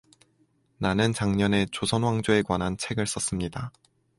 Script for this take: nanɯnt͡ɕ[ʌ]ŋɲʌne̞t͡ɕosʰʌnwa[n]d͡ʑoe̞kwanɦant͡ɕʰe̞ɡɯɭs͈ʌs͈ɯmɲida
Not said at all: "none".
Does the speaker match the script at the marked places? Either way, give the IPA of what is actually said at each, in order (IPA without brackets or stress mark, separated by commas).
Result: a, ŋ